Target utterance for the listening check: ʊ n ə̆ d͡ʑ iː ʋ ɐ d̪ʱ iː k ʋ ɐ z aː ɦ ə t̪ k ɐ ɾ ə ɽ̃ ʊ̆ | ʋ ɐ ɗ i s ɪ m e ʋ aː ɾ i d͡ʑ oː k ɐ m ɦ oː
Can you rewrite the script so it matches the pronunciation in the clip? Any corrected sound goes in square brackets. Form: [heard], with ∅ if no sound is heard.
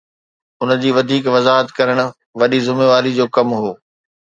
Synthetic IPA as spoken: ʊ n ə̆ d͡ʑ iː ʋ ɐ d̪ʱ iː k ʋ ɐ z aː ɦ ə t̪ k ɐ ɾ ə ɽ̃ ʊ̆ | ʋ ɐ ɗ i [z] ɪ m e ʋ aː ɾ i d͡ʑ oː k ɐ m ɦ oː